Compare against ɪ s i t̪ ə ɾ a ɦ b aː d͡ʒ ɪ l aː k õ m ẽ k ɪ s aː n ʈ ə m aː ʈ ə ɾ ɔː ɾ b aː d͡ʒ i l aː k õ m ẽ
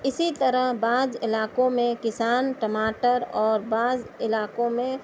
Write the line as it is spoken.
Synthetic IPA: ɪ s i t̪ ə ɾ ə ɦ b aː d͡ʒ ɪ l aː k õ m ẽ k ɪ s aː n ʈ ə m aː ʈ ə ɾ ɔː ɾ b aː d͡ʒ ɪ l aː k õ m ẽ